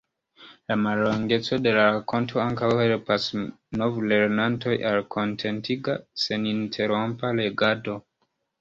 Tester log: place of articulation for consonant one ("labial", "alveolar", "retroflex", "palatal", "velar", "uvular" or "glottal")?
alveolar